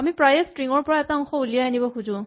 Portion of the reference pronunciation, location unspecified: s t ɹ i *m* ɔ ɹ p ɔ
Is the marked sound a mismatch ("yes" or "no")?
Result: yes